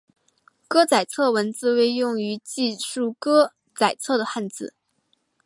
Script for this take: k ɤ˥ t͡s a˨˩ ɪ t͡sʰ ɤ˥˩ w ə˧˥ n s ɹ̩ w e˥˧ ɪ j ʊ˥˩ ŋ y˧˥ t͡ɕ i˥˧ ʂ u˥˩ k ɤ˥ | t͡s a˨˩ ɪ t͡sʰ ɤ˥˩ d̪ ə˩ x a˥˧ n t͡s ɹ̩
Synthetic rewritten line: k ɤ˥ t͡s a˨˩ ɪ t͡sʰ ɤ˥˩ w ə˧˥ n t͡s ɹ̩ w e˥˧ ɪ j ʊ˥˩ ŋ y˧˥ t͡ɕ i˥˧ ʂ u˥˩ k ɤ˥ | t͡s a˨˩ ɪ t͡sʰ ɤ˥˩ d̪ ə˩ x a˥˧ n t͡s ɹ̩